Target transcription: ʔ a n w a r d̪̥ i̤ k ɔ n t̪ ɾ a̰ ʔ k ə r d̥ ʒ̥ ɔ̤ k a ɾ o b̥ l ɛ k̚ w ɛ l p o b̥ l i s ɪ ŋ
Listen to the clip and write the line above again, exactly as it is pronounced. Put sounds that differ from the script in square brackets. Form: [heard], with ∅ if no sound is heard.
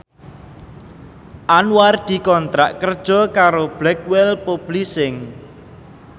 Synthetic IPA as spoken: ʔ a n w a r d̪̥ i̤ k ɔ n t̪ ɾ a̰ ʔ k ə r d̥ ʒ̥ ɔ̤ k a ɾ o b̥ l ɛ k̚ w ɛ l p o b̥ l i s ɪ ŋ